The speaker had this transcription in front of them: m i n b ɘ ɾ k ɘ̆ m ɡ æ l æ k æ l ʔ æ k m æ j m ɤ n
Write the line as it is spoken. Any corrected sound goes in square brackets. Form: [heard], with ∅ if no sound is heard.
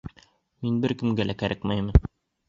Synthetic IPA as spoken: m i n b ɘ ɾ k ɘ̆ m ɡ æ l æ k æ [ɾ] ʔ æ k m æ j m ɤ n